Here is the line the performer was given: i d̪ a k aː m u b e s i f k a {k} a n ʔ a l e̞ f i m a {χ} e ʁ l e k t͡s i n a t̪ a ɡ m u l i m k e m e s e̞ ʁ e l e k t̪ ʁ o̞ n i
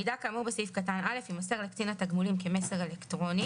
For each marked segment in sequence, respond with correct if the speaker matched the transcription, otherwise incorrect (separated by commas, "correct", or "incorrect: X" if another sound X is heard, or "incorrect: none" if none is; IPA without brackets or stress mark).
incorrect: t, incorrect: s